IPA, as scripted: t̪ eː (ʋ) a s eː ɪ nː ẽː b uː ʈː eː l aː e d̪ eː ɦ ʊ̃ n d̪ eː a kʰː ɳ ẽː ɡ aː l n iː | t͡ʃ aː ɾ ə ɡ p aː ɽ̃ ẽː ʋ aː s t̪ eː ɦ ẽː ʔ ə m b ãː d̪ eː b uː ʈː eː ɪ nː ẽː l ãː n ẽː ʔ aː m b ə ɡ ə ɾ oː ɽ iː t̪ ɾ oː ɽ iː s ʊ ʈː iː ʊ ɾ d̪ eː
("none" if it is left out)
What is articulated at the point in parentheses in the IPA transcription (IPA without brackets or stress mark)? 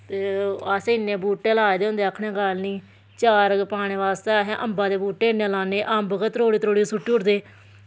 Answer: none